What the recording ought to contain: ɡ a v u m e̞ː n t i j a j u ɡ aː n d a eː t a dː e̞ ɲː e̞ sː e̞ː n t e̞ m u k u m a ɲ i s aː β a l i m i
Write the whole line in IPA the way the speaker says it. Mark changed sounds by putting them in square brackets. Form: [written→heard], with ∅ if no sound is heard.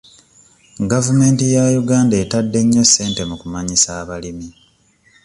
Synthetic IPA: ɡ a v u m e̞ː n t i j a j u ɡ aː n d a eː t a dː e̞ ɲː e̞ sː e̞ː n t e̞ m u k u m a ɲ i s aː β a l i m i